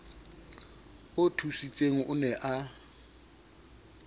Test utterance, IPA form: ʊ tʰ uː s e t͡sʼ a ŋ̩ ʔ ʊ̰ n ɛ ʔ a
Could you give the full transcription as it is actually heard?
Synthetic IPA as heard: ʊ tʰ u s i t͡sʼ e ŋ̩ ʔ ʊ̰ n ɛ ʔ a